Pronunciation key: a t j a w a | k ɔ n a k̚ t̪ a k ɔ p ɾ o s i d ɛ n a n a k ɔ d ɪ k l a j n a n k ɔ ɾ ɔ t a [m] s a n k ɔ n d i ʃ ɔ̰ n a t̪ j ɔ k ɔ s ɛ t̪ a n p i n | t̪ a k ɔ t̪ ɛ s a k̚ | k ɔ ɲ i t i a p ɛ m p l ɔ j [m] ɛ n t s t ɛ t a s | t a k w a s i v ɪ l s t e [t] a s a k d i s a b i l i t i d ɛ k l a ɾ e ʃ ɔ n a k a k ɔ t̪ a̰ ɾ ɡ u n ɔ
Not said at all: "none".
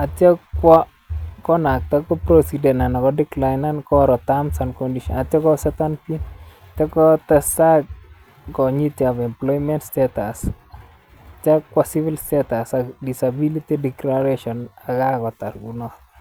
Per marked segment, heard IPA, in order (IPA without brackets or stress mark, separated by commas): m, m, t